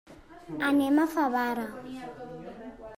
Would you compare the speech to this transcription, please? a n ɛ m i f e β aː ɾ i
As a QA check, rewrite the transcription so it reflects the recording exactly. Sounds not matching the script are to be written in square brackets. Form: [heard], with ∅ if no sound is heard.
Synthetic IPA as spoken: a n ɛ m [a] f [a] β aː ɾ [a]